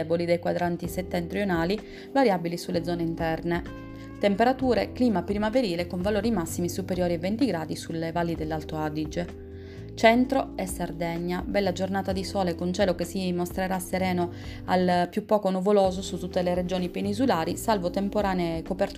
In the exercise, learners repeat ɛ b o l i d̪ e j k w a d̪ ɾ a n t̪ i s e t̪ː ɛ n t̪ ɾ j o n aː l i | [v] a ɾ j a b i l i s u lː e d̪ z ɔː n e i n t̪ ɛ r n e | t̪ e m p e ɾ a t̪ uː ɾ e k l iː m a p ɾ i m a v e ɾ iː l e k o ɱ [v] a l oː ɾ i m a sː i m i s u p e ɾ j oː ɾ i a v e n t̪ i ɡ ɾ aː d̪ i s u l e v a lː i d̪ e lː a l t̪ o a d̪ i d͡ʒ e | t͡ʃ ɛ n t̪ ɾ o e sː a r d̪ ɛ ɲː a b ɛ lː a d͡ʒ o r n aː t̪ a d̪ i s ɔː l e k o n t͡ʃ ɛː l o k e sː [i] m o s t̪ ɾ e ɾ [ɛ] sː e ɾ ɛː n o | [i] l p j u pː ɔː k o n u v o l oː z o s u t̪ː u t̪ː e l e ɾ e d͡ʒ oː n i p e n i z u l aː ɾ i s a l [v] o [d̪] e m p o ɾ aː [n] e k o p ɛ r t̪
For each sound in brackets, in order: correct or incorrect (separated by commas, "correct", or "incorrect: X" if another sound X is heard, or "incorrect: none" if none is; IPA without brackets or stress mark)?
correct, correct, correct, incorrect: a, incorrect: a, correct, incorrect: t̪, correct